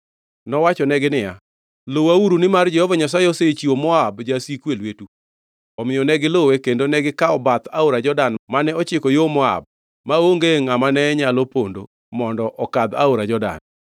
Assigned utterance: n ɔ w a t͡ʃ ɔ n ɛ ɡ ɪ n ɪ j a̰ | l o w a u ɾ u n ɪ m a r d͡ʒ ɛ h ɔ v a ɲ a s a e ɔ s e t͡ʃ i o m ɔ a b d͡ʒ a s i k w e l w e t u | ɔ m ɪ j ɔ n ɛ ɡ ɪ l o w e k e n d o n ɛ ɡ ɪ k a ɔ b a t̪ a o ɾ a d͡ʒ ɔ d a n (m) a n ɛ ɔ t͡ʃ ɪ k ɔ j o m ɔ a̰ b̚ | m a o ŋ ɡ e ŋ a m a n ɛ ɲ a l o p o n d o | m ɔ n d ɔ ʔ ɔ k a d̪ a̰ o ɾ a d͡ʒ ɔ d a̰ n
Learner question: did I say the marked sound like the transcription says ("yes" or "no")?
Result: yes